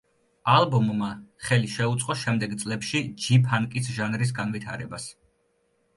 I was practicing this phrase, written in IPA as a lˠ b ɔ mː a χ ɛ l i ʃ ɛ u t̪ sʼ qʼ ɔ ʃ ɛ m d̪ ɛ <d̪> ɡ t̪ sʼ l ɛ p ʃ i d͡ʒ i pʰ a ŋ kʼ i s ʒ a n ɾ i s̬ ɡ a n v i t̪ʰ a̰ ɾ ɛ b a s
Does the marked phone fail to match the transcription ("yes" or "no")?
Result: yes